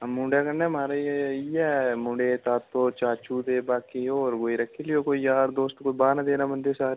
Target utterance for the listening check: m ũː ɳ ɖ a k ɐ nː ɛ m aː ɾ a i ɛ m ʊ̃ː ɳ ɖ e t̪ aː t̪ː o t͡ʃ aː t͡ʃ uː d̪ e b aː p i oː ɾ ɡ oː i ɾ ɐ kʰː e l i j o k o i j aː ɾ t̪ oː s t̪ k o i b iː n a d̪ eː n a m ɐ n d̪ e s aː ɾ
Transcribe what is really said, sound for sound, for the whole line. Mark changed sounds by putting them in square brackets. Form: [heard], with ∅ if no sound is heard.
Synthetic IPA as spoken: m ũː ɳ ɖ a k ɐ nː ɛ m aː ɾ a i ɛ m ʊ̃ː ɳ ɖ e t̪ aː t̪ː o t͡ʃ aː t͡ʃ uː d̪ e b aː [k] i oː ɾ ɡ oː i ɾ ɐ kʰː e l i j o k o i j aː ɾ [d̪] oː s t̪ k o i b [aː] n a d̪ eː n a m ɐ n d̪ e s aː ɾ

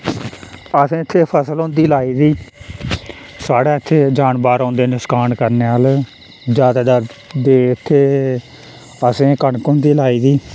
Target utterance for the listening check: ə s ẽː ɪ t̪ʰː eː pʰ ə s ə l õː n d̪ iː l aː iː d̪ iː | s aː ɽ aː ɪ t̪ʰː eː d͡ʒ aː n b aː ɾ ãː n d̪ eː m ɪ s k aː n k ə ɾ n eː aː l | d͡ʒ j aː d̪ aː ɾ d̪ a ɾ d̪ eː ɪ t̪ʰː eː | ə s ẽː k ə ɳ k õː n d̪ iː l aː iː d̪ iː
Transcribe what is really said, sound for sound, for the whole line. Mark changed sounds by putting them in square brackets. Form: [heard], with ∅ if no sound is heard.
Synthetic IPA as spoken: ə s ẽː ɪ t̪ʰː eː pʰ ə s ə l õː n d̪ iː l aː iː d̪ iː | s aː ɽ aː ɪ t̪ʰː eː d͡ʒ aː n b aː ɾ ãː n d̪ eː [n] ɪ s k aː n k ə ɾ n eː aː l | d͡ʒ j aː d̪ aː [∅] d̪ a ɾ d̪ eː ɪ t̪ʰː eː | ə s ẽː k ə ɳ k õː n d̪ iː l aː iː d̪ iː

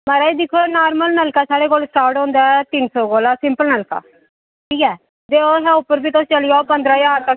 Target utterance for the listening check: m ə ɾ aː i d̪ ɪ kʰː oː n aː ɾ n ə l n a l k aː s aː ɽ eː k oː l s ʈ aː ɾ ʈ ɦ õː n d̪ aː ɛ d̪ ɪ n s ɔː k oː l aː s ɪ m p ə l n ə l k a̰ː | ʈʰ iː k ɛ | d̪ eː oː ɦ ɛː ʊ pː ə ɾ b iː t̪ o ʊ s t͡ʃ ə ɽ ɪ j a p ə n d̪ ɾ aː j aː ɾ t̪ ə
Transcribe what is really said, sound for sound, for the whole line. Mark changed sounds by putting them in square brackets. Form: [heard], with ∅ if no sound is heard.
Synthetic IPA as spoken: m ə ɾ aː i d̪ ɪ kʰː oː n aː ɾ [m] ə l n [ə] l k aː s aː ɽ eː k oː l s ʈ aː ɾ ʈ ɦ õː n d̪ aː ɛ [t̪] ɪ n s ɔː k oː l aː s ɪ m p ə l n ə l k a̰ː | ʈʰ iː k [ɛː] | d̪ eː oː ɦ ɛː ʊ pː ə ɾ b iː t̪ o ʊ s t͡ʃ ə [l] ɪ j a p ə n d̪ ɾ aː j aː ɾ t̪ ə

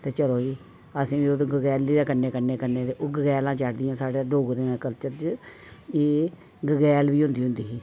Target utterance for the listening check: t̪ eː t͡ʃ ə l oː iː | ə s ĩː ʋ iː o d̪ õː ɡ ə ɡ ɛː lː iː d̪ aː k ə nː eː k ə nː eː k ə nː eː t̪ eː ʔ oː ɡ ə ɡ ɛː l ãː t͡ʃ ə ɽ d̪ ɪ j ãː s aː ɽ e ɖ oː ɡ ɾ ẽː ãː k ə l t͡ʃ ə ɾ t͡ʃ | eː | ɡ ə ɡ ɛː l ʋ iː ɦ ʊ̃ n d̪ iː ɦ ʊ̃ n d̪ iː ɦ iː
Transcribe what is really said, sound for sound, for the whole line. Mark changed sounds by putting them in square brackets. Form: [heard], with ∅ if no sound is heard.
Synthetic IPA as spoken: t̪ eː t͡ʃ ə l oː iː | ə s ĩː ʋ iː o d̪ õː ɡ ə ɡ ɛː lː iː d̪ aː k ə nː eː k ə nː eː k ə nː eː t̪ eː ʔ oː ɡ ə ɡ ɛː l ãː t͡ʃ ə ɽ d̪ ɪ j ãː s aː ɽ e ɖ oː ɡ ɾ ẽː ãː k ə l t͡ʃ ə ɾ t͡ʃ | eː | ɡ ə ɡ ɛː l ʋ iː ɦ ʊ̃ n d̪ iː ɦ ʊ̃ n d̪ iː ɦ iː

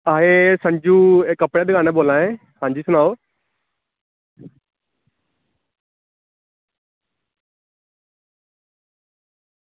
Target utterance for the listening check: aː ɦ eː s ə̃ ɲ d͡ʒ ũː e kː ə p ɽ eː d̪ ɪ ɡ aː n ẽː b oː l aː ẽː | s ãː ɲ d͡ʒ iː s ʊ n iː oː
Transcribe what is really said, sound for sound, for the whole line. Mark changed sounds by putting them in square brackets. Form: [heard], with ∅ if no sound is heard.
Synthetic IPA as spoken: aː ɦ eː s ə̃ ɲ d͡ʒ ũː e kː ə p ɽ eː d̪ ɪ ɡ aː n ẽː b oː l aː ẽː | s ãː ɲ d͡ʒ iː s ʊ n [aː] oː

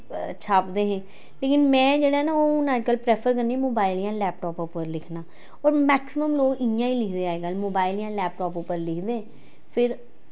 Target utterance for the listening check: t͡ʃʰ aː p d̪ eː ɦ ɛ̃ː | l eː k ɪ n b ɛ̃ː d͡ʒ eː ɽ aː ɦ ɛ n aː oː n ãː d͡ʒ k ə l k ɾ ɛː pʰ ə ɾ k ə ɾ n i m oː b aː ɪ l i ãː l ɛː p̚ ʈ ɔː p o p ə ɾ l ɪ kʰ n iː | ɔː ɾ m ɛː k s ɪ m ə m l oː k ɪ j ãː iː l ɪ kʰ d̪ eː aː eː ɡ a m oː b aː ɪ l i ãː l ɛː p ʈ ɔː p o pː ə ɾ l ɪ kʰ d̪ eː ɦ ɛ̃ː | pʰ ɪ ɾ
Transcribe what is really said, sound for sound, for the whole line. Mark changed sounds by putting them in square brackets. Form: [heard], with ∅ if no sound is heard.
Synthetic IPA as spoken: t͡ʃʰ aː p d̪ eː ɦ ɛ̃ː | l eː k ɪ n [m] ɛ̃ː d͡ʒ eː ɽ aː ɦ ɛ n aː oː n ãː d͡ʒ k ə l [p] ɾ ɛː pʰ ə ɾ k ə ɾ n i m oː b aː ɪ l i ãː l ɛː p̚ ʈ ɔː p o p ə ɾ l ɪ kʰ n [aː] | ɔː ɾ m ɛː k s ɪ m ə m l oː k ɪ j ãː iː l ɪ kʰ d̪ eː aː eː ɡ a m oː b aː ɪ l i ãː l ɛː p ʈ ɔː p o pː ə ɾ l ɪ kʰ d̪ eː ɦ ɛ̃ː | pʰ ɪ ɾ

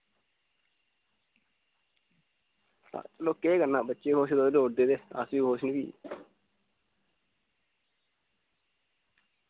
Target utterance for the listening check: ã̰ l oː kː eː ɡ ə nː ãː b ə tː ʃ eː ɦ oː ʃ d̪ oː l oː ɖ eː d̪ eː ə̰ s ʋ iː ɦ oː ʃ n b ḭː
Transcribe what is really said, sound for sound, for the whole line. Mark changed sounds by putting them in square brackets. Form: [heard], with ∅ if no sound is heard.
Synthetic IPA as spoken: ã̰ l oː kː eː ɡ ə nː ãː b ə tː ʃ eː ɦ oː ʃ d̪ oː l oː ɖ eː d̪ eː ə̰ s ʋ iː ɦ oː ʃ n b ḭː

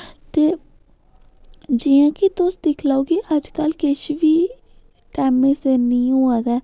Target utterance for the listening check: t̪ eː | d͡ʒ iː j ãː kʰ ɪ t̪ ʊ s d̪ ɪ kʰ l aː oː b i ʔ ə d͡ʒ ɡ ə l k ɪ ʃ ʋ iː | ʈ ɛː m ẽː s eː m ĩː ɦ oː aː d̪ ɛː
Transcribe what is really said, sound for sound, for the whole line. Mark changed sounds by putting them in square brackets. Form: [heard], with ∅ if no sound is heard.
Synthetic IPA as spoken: t̪ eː | d͡ʒ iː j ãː [k] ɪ t̪ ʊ s d̪ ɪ kʰ l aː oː [ɡ] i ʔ ə d͡ʒ [k] ə l k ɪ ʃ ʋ iː | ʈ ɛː m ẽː s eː [n] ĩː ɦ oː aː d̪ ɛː

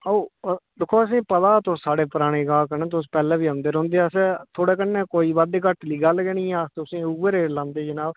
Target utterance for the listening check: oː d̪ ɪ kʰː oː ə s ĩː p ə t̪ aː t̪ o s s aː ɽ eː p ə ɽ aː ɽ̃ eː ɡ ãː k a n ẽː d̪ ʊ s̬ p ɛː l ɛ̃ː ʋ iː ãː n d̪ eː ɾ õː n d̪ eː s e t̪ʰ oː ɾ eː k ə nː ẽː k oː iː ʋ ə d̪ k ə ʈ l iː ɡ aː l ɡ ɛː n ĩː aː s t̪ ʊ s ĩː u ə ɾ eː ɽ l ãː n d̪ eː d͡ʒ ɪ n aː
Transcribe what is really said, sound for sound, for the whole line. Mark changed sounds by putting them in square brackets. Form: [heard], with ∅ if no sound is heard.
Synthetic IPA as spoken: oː d̪ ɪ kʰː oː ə s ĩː p ə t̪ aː t̪ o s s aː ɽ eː p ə [ɾ] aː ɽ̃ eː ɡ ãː k [ə] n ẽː [t̪] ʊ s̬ p ɛː l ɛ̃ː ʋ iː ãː n d̪ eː ɾ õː n d̪ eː s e t̪ʰ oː [ɽ] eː k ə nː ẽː k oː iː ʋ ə d̪ k ə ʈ l iː ɡ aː l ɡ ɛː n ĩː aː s t̪ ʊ s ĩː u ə ɾ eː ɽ l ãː n d̪ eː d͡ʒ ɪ n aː

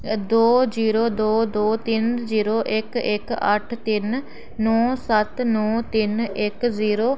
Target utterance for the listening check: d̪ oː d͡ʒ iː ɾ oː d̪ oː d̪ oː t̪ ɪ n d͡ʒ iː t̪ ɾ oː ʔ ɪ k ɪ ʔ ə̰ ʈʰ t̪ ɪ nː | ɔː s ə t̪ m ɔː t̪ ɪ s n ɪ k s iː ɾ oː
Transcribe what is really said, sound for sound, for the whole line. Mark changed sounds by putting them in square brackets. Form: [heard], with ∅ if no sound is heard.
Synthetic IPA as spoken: d̪ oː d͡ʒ iː ɾ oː d̪ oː d̪ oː t̪ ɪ n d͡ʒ iː [∅] ɾ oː ʔ ɪ k ɪ [k] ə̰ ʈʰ t̪ ɪ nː | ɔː s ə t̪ [n] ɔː t̪ ɪ [∅] n ɪ k [z] iː ɾ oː

